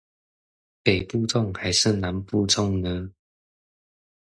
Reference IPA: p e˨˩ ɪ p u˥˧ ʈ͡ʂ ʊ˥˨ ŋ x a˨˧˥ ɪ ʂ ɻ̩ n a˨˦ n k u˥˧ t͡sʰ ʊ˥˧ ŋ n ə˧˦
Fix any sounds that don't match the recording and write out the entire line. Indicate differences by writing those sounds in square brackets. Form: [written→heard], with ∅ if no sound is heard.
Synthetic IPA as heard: p e˨˩ ɪ p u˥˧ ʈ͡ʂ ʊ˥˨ ŋ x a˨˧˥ ɪ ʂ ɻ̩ n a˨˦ n [k→p] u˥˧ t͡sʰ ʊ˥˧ ŋ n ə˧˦